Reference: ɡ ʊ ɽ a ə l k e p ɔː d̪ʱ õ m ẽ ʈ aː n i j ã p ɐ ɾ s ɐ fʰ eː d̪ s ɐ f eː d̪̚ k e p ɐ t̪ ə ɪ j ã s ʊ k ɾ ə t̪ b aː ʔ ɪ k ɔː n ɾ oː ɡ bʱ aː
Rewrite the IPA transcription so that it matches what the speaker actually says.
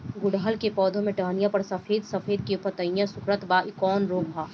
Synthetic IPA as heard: ɡ ʊ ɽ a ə l k e p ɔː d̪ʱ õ m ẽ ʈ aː n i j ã p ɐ ɾ s ɐ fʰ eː d̪ s ɐ f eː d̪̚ k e p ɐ t̪ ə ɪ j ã s ʊ k ɾ ə t̪ b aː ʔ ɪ k ɔː n ɾ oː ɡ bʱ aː